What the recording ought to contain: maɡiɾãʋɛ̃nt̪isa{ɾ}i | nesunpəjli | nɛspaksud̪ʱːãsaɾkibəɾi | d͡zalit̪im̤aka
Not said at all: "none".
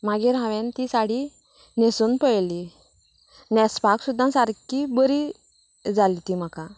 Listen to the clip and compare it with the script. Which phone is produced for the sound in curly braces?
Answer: ɽ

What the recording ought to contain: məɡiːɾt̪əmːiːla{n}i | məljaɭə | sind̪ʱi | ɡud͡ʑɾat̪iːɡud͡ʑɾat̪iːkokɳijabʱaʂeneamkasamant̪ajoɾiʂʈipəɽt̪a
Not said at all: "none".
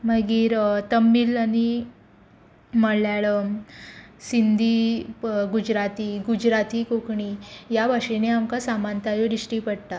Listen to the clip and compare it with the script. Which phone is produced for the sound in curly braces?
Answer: n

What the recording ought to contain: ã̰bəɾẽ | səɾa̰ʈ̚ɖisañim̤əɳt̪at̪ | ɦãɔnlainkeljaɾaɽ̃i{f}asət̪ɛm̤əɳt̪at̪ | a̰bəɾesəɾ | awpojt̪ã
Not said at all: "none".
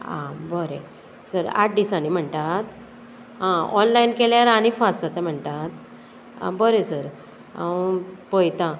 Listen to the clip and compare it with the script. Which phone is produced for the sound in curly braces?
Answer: f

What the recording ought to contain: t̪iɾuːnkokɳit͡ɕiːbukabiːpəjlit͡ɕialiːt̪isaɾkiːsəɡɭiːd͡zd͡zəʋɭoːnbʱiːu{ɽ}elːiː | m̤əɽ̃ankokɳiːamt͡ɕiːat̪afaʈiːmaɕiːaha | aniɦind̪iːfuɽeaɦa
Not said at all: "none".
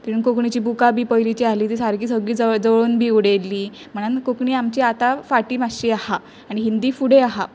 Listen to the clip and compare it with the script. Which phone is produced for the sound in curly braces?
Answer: ɽ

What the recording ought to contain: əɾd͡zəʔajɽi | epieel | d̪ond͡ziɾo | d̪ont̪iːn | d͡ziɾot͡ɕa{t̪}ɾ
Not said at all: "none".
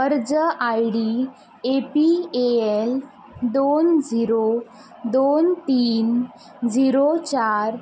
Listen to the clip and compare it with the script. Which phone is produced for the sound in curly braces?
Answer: none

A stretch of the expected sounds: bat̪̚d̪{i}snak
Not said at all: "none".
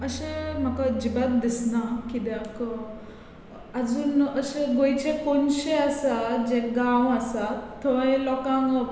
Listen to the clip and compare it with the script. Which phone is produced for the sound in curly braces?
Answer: i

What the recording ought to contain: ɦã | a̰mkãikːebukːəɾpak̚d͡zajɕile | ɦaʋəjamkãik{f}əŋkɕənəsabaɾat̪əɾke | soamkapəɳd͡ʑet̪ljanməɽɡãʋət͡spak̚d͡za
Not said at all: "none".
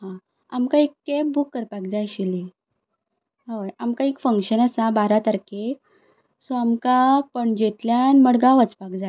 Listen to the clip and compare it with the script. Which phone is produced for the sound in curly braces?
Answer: f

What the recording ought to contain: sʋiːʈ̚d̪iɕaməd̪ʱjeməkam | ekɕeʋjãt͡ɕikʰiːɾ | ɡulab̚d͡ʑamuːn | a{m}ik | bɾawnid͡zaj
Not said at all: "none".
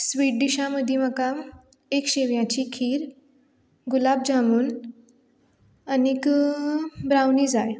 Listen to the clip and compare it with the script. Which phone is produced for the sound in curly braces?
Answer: n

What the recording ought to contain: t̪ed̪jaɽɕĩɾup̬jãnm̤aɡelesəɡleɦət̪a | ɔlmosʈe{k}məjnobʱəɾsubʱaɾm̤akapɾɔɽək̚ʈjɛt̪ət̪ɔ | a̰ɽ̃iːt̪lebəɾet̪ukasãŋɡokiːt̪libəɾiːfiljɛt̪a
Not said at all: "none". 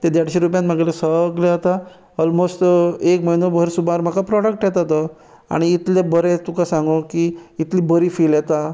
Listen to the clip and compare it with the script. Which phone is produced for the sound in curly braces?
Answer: k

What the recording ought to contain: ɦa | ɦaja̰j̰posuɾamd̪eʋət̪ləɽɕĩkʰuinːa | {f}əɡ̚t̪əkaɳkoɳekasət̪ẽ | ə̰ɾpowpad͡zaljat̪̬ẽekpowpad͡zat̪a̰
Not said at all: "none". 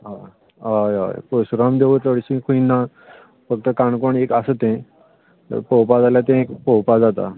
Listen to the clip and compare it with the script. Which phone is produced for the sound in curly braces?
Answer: f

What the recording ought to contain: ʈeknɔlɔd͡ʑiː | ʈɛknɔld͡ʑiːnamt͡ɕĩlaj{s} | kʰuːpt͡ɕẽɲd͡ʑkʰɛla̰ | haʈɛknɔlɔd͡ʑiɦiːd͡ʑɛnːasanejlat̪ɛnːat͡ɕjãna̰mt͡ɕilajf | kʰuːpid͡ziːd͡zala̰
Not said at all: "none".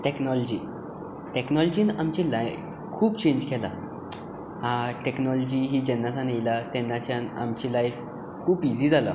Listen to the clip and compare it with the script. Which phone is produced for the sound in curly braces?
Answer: f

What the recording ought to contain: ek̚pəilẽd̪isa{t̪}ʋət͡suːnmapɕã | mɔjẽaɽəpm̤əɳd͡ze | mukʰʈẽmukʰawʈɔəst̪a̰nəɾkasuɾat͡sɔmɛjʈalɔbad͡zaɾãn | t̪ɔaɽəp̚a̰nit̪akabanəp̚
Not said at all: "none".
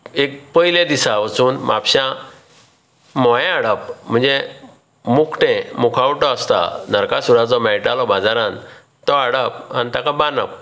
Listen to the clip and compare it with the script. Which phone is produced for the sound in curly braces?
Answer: none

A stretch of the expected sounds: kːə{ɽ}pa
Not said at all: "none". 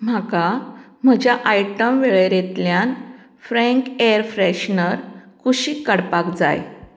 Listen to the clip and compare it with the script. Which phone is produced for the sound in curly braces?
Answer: ɽ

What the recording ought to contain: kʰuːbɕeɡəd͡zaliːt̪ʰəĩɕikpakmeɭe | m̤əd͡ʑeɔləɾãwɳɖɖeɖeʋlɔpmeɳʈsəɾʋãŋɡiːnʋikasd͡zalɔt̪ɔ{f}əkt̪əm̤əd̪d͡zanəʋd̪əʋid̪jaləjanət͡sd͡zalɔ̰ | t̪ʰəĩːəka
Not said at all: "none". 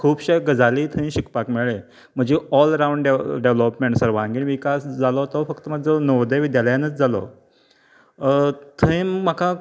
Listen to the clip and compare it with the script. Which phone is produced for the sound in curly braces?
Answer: f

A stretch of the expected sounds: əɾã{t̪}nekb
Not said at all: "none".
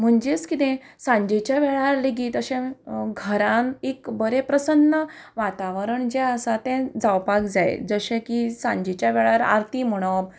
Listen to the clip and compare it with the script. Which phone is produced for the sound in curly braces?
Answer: none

